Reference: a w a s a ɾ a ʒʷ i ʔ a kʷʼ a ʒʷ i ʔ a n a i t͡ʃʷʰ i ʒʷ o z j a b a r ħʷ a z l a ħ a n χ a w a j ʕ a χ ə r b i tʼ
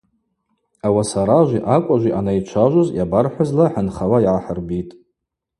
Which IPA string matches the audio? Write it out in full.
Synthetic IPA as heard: a w a s a ɾ a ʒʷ i ʔ a kʷʼ a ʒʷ i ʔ a n a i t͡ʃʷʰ a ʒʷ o z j a b a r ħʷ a z l a ħ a n χ a w a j ʕ a ħ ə r b i tʼ